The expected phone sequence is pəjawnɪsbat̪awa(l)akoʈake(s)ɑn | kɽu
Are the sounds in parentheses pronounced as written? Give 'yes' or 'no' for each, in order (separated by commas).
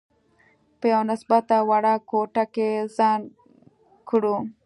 no, no